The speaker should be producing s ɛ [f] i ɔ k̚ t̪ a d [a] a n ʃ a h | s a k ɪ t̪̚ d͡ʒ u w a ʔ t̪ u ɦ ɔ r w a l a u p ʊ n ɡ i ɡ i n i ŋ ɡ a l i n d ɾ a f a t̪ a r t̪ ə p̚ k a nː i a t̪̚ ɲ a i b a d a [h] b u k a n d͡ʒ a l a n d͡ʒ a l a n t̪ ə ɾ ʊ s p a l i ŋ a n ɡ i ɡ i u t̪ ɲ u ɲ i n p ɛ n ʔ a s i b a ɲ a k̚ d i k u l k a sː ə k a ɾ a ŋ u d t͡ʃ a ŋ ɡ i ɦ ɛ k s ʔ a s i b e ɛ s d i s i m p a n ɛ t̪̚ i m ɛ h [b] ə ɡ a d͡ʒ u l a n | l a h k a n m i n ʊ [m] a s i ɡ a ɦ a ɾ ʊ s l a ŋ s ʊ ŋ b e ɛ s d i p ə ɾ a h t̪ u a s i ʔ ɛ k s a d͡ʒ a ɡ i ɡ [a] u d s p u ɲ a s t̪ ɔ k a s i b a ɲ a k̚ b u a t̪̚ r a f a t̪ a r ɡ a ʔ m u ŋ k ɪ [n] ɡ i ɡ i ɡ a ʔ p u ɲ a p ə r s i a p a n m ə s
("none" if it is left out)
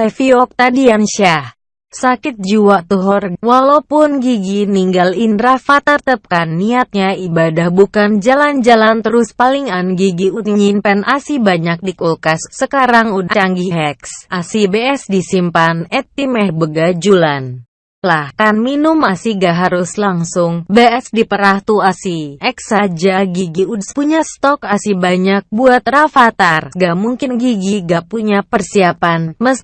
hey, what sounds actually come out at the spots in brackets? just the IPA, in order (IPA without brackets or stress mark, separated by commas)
f, i, h, b, m, i, n